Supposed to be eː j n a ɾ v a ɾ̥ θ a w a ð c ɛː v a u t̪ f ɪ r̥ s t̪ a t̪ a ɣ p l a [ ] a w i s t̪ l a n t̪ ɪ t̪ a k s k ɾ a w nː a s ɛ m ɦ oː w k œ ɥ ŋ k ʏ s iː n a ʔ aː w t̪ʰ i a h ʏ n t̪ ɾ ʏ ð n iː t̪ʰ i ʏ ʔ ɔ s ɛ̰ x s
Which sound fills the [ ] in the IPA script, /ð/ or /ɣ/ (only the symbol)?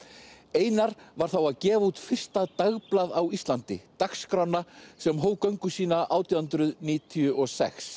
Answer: ð